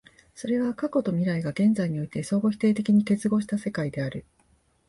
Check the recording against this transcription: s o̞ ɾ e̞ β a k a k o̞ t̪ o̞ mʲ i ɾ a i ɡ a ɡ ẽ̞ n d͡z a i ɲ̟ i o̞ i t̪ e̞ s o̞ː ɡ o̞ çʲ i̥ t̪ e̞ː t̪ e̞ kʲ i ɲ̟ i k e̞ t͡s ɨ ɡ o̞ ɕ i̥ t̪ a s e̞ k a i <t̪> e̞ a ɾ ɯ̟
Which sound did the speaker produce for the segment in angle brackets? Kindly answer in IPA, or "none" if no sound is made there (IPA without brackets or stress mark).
d̪